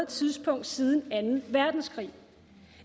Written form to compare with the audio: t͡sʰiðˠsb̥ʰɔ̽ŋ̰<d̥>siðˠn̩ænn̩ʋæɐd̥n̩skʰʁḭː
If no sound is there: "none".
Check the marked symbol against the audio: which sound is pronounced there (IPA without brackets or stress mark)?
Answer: d̥